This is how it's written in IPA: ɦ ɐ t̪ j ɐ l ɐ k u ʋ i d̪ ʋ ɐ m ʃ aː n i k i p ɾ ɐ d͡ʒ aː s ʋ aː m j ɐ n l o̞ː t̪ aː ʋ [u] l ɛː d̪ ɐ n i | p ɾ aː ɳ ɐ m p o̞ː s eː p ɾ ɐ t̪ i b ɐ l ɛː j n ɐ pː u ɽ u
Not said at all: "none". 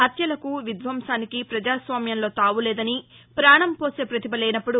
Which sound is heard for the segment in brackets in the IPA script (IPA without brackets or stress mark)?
u